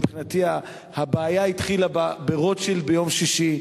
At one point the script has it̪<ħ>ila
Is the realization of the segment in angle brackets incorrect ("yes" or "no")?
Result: yes